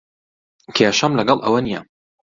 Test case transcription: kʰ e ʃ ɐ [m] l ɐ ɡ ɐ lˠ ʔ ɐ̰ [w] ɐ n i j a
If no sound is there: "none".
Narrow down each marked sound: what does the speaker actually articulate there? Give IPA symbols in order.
m, w

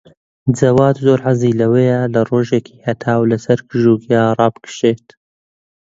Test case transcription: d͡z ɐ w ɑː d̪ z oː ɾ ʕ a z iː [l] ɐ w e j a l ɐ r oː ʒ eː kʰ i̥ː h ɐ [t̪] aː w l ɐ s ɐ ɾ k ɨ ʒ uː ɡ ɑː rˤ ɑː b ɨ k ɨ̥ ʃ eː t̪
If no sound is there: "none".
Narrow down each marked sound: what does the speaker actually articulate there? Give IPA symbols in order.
l, t̪ʰ

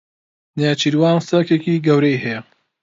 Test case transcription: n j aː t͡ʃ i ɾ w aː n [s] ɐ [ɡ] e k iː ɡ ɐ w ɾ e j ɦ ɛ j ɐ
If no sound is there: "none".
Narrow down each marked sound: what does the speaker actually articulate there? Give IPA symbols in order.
s, k

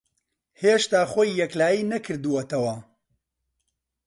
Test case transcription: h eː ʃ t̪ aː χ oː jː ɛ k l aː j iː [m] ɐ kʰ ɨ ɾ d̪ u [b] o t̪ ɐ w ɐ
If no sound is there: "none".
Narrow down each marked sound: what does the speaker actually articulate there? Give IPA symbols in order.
n, w

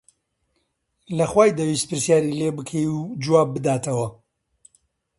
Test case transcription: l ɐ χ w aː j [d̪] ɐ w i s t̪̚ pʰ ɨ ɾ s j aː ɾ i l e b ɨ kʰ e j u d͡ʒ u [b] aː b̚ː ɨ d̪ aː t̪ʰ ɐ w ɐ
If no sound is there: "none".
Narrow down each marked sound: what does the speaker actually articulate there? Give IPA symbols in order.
d̪, w

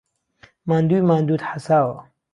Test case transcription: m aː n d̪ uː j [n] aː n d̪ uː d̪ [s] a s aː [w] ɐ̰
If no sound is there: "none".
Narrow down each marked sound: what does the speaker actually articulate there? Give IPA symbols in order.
m, ħ, w

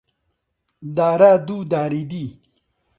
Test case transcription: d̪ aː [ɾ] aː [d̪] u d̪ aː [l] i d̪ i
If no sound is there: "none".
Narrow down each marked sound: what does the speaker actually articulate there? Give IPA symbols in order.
ɾ, d̪, ɾ

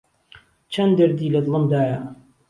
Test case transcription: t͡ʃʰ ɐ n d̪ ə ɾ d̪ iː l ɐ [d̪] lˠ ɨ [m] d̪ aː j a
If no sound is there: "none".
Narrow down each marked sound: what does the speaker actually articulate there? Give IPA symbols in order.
d̪, m

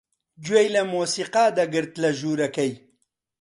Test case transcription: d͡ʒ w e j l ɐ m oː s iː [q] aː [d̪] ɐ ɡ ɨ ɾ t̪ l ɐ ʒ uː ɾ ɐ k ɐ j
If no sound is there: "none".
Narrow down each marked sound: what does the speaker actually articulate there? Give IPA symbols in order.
q, d̪

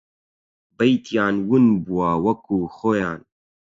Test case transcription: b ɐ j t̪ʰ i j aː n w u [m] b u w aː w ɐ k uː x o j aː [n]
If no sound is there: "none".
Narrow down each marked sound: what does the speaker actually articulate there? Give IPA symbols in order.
n, n

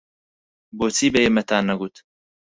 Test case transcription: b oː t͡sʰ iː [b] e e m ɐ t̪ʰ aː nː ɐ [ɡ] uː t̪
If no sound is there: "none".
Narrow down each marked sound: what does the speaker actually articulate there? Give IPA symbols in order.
b, ɡ

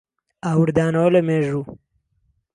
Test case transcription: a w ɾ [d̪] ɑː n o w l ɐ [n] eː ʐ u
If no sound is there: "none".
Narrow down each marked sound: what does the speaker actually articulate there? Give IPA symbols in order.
d̪, m

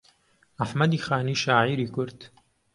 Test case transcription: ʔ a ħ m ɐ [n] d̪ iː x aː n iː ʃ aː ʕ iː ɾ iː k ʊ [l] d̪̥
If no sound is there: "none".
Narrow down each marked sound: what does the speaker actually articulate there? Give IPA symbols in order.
none, ɾ

